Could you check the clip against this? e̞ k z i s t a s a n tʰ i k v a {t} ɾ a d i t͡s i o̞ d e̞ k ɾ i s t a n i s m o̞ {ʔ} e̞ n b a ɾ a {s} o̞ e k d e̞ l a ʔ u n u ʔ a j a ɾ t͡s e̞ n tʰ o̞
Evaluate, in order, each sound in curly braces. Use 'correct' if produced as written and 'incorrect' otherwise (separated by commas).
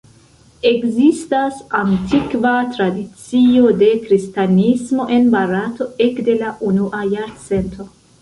correct, correct, incorrect